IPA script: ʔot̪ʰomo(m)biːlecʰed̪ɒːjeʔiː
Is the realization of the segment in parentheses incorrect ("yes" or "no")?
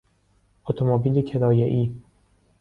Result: yes